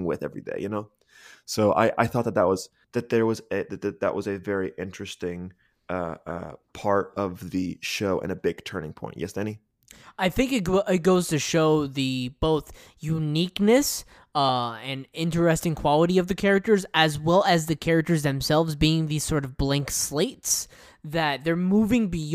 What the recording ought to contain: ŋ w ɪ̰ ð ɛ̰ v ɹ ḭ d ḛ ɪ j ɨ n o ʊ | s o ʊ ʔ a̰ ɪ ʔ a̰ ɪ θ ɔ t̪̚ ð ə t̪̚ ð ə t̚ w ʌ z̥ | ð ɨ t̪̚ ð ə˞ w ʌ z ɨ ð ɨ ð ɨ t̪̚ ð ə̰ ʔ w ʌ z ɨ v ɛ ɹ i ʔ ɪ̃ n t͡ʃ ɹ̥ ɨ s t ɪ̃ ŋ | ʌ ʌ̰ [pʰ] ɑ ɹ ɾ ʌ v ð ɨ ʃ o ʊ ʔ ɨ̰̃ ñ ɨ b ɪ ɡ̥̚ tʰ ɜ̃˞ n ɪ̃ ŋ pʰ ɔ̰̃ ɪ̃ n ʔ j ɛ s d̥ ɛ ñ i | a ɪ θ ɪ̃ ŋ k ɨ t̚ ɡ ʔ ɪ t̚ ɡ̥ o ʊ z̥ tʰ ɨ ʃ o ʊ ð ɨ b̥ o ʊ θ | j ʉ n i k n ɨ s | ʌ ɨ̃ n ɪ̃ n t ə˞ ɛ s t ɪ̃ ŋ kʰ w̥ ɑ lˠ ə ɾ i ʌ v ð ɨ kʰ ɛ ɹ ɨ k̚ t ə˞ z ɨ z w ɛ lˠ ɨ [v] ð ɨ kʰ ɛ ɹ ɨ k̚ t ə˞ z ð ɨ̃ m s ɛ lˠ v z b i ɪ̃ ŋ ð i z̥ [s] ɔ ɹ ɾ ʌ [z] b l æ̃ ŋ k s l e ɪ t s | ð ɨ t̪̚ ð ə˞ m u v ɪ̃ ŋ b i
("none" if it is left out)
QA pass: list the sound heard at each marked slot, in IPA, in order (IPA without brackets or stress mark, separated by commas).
pʰ, z, s, v